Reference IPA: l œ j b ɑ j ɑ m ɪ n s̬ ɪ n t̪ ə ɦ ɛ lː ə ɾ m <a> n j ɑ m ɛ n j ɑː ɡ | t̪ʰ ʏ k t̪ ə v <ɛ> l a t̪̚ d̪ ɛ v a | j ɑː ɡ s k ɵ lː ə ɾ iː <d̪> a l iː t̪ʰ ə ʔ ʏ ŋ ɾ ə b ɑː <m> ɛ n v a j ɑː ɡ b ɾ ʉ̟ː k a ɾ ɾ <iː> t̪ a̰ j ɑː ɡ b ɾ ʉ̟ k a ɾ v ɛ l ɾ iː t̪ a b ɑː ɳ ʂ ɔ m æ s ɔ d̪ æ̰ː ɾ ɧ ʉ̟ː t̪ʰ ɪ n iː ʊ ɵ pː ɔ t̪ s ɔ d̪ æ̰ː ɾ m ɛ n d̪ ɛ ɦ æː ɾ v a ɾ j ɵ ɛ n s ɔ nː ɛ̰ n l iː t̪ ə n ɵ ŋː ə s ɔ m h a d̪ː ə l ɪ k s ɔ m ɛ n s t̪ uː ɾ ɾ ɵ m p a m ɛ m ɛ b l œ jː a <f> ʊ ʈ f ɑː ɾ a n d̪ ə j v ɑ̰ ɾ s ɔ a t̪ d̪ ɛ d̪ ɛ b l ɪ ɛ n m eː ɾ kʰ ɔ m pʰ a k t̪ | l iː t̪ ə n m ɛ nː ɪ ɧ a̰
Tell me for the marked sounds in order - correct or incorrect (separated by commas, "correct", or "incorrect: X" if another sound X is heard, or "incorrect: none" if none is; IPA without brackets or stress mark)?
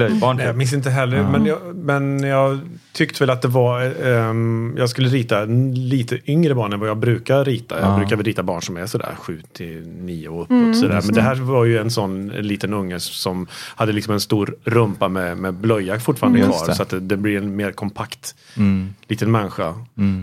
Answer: incorrect: ɛ, correct, incorrect: t̪, incorrect: ɳ, correct, correct